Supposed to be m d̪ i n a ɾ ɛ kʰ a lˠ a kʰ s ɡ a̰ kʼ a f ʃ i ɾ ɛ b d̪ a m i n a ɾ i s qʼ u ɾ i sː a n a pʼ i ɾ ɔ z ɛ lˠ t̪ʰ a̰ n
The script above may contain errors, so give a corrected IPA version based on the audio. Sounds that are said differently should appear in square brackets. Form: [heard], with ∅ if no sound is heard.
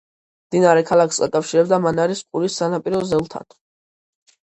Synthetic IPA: m d̪ i n a ɾ ɛ kʰ a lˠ a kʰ s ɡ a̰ kʼ a f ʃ i ɾ ɛ b d̪ a m [a] n a ɾ i s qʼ u ɾ i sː a n a pʼ i ɾ ɔ z ɛ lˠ t̪ʰ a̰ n